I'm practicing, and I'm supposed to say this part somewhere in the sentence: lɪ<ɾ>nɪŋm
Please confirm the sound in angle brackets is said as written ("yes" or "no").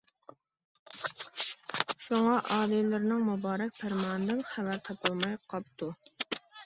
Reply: yes